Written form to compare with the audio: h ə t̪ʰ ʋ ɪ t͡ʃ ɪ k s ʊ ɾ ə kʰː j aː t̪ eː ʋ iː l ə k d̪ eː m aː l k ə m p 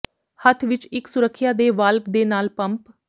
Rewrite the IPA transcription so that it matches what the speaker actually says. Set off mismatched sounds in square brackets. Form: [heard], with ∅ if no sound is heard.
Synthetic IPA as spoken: h ə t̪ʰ ʋ ɪ t͡ʃ ɪ k s ʊ ɾ ə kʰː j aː [d̪] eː ʋ [aː] l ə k d̪ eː [n] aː l [p] ə m p